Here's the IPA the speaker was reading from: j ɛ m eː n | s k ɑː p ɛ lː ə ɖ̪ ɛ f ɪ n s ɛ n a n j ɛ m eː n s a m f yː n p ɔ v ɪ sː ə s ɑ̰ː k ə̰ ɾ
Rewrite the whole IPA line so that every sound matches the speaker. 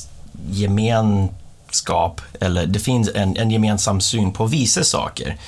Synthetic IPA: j ɛ m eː n | s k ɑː p ɛ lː ə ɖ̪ ɛ f ɪ n s ɛ n ɛ n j ɛ m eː n s a m s yː n pʰ ɔ v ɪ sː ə s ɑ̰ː k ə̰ ɾ